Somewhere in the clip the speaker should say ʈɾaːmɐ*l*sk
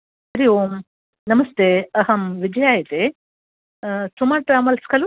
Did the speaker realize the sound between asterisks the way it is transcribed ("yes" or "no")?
yes